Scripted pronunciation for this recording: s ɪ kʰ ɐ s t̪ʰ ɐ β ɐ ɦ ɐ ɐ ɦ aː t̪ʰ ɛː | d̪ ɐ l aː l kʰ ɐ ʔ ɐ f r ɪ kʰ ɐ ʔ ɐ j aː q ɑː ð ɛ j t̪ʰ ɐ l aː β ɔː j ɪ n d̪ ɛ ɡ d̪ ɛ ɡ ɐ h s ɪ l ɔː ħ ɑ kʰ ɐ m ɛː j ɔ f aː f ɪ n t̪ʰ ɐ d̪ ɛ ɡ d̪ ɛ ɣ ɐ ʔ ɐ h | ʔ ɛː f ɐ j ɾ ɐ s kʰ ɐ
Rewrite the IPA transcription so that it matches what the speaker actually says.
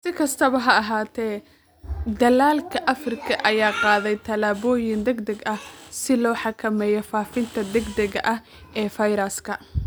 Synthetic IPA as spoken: s ɪ kʰ ɐ s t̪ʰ ɐ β ɐ ɦ ɐ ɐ ɦ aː t̪ʰ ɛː | d̪ ɐ l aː l kʰ ɐ ʔ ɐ f r ɪ kʰ ɐ ʔ ɐ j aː q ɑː ð ɛ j t̪ʰ ɐ l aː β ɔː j ɪ n d̪ ɛ ɡ d̪ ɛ ɡ ɐ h s ɪ l ɔː ħ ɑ kʰ ɐ m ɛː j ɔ f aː f ɪ n t̪ʰ ɐ d̪ ɛ ɡ d̪ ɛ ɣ ɐ ʔ ɐ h | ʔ ɛː f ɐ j ɾ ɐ s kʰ ɐ